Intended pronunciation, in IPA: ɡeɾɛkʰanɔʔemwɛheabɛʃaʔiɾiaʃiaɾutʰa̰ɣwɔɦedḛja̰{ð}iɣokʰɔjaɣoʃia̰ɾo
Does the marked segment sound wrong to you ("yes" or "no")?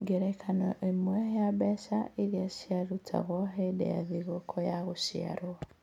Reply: no